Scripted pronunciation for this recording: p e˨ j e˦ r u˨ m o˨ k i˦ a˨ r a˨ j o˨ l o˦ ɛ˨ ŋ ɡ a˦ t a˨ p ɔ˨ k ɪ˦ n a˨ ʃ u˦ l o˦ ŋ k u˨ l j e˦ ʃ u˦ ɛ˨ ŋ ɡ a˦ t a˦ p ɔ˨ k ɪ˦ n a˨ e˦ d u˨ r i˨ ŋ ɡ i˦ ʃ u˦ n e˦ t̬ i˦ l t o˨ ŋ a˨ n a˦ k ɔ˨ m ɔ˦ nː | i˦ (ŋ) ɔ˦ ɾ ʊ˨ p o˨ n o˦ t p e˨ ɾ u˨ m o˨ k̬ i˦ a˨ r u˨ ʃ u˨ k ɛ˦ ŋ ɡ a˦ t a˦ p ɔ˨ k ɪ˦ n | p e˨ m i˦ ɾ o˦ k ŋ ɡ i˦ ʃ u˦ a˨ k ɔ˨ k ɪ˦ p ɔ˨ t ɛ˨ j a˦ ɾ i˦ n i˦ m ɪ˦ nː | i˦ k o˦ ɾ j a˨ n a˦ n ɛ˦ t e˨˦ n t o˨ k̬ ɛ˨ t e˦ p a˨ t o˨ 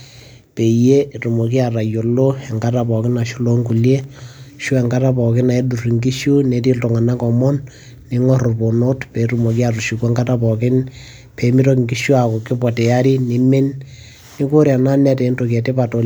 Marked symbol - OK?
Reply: yes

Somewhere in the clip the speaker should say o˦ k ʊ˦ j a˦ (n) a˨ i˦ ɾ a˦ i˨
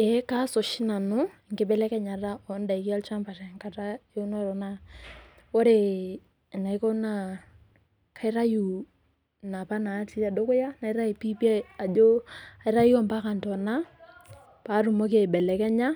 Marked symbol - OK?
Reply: yes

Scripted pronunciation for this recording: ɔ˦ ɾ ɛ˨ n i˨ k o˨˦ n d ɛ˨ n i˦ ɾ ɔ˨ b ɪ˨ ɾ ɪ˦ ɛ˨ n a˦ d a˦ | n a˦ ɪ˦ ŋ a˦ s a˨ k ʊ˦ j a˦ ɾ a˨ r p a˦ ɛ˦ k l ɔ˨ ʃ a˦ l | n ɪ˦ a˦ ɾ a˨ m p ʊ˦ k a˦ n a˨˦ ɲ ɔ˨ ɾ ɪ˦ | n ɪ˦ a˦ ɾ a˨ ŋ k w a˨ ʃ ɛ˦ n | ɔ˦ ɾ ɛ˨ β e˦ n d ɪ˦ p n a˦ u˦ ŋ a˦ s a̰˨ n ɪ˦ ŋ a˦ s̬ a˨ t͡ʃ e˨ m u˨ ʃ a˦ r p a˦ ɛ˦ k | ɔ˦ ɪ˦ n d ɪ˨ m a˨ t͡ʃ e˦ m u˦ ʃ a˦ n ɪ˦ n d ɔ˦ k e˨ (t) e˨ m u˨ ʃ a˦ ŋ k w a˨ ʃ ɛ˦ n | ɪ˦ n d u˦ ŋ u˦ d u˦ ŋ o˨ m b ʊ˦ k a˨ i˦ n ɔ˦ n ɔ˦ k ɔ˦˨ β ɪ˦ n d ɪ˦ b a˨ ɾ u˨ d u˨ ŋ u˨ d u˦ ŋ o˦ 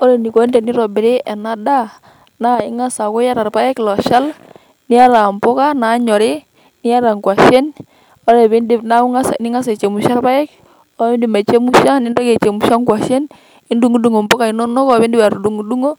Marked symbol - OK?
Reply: no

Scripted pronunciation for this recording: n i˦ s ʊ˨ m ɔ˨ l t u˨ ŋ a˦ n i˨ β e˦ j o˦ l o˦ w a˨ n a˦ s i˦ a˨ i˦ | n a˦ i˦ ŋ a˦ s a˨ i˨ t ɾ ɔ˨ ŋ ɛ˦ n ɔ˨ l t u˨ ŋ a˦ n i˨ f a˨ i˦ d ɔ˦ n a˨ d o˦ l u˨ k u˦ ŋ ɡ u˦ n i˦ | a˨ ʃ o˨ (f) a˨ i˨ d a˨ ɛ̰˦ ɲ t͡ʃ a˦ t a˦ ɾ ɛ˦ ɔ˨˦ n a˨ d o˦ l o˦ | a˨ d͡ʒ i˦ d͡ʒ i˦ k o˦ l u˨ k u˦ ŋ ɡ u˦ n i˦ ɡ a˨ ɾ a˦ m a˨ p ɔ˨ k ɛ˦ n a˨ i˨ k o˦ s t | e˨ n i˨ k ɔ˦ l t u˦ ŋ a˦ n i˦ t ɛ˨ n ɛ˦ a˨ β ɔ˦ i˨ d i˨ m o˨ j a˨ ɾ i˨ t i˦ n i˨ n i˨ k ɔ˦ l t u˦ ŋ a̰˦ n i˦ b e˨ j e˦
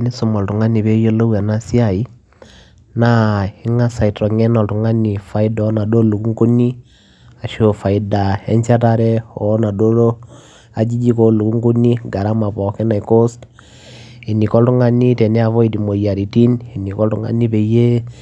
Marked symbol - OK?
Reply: yes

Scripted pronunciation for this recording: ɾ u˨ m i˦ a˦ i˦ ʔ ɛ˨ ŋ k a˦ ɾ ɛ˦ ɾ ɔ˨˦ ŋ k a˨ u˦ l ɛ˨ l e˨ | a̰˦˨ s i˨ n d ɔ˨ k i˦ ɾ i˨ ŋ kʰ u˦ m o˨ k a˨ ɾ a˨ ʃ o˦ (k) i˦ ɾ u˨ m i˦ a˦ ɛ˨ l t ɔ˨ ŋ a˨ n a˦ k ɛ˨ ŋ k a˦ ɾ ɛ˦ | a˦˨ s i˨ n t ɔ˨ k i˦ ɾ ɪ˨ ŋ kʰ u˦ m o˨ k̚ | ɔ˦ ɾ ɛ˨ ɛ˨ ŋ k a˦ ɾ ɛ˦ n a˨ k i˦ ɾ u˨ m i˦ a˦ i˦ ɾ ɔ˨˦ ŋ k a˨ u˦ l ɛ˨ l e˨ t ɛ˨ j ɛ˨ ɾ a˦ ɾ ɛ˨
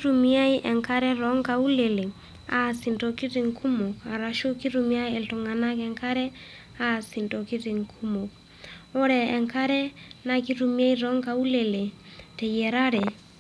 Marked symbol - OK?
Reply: yes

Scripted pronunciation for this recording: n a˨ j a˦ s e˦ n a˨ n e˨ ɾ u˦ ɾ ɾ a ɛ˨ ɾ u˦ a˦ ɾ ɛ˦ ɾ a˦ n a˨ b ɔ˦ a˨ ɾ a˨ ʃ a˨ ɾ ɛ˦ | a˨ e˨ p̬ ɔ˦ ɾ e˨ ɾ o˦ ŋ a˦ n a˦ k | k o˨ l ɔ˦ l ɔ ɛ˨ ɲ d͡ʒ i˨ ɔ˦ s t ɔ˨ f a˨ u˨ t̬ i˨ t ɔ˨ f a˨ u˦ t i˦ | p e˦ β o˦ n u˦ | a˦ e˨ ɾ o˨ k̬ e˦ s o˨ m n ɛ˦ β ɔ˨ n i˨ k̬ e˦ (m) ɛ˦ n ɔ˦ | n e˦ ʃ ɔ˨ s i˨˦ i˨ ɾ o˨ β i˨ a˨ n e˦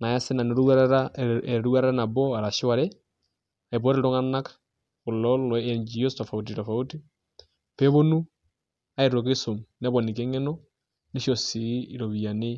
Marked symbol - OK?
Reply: no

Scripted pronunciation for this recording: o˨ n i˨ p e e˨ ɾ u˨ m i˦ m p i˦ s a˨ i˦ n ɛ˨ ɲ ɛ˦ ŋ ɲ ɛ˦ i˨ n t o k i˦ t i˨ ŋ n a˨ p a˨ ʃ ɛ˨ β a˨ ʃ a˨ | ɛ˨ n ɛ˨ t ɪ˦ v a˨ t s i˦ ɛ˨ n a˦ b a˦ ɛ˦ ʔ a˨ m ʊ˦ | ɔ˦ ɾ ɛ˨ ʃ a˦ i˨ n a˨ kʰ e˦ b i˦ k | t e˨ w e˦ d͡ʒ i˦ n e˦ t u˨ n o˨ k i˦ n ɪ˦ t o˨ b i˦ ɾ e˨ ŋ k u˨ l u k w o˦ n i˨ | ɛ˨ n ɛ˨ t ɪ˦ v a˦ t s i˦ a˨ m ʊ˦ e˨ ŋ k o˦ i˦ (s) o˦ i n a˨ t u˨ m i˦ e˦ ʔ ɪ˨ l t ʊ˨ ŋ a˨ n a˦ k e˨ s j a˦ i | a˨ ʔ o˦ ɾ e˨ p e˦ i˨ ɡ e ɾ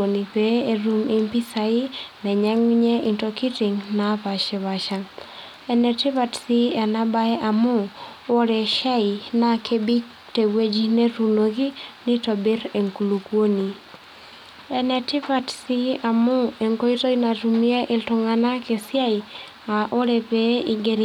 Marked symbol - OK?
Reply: no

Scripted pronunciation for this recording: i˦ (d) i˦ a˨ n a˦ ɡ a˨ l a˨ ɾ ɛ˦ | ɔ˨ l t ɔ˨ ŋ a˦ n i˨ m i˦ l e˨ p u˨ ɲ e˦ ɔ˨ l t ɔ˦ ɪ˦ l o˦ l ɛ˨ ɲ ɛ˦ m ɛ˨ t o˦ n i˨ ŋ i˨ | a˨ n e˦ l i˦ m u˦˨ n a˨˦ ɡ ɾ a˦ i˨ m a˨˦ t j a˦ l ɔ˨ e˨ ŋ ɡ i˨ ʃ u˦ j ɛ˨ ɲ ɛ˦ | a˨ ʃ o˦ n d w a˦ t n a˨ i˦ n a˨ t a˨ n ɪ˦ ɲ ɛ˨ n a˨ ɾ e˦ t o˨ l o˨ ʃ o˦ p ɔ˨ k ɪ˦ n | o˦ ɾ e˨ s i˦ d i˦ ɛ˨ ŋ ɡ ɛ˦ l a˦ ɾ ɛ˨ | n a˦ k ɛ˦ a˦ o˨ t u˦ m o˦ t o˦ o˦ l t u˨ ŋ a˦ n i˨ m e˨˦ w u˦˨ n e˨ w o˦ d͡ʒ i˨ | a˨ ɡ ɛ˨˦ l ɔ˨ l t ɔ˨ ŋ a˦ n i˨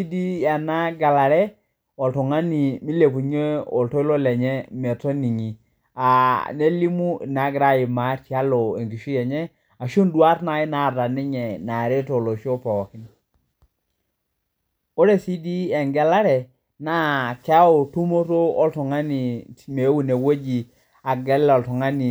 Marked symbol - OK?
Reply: yes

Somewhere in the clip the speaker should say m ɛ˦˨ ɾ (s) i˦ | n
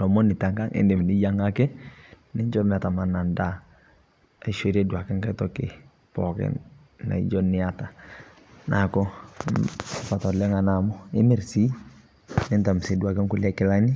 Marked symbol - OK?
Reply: yes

